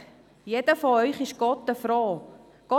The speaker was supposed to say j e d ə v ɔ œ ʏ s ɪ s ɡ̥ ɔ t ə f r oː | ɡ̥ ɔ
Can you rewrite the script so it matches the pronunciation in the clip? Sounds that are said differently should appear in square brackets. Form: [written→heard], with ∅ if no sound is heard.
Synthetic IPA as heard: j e d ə [v→f] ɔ œ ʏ [s→χ] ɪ [s→ʃ] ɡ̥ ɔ t ə f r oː | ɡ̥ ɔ